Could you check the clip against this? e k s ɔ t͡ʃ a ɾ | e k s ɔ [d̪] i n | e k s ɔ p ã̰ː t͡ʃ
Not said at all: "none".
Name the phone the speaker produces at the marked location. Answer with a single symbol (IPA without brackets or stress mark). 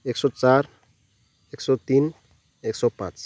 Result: t̪